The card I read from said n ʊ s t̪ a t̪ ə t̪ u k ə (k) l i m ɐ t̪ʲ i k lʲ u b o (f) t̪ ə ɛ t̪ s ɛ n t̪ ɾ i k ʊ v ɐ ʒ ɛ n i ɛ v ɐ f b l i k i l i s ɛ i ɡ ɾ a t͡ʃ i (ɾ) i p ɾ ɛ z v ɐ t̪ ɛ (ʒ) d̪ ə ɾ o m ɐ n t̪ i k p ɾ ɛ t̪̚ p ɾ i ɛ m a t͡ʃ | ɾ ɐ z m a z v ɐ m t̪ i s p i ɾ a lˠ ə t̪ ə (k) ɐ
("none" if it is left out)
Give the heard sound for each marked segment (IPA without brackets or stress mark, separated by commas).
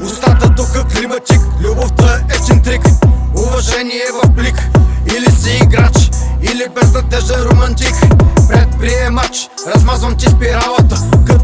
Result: k, f, l, ʒ, k